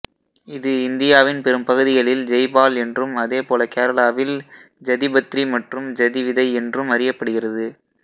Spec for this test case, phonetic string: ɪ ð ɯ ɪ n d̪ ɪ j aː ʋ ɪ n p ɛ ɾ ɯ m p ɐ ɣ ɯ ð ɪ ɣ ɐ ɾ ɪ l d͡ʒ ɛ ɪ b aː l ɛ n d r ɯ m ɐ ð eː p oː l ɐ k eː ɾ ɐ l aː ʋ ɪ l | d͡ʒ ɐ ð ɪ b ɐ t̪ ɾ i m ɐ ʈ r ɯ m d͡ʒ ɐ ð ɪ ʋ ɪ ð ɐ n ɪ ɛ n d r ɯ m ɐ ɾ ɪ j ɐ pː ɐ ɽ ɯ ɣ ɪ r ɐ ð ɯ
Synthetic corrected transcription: ɪ ð ɯ ɪ n d̪ ɪ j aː ʋ ɪ n p ɛ ɾ ɯ m p ɐ ɣ ɯ ð ɪ ɣ ɐ ɭ ɪ l d͡ʒ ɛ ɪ b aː l ɛ n d r ɯ m ɐ ð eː p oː l ɐ k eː ɾ ɐ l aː ʋ ɪ l | d͡ʒ ɐ ð ɪ b ɐ t̪ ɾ i m ɐ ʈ r ɯ m d͡ʒ ɐ ð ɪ ʋ ɪ ð ɐ ɪ ɛ n d r ɯ m ɐ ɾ ɪ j ɐ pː ɐ ɽ ɯ ɣ ɪ r ɐ ð ɯ